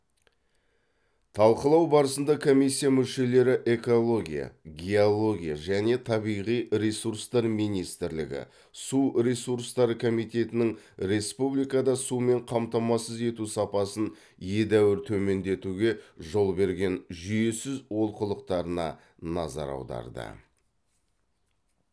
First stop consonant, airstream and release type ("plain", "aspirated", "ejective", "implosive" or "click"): aspirated